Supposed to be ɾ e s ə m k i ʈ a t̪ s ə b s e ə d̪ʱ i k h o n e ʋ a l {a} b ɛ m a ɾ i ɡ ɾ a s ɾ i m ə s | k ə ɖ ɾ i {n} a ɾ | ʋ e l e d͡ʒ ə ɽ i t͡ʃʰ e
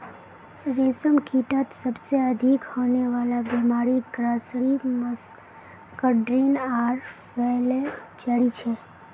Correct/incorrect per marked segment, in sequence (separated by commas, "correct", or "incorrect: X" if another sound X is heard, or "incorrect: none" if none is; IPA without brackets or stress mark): correct, correct